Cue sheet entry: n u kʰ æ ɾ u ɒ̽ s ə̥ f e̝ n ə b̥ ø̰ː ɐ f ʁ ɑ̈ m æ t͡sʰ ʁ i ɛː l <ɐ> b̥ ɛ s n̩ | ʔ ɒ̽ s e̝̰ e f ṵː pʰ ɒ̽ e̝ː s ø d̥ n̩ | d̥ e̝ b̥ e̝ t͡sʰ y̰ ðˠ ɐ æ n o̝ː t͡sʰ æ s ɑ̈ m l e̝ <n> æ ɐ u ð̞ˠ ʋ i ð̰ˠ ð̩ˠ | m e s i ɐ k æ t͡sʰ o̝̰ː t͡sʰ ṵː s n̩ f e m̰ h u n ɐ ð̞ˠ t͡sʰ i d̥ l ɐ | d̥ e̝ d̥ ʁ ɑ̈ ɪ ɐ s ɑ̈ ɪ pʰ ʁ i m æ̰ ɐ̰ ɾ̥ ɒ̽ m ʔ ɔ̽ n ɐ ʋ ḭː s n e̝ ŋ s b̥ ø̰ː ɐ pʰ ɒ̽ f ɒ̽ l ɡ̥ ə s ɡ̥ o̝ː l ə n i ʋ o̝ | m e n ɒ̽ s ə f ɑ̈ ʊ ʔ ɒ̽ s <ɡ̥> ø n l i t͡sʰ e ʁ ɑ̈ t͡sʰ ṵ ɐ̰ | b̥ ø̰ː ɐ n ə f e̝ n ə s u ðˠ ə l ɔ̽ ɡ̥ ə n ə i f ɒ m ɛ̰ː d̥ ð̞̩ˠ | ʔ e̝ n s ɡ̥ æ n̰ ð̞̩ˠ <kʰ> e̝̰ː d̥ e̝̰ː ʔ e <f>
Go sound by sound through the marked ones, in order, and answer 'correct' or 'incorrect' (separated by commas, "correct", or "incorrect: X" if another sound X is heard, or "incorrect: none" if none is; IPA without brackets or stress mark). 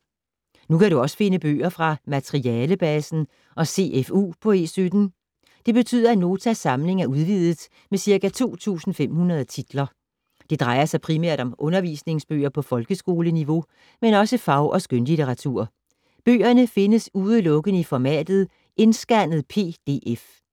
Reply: incorrect: ə, incorrect: ŋ, correct, incorrect: pʰ, correct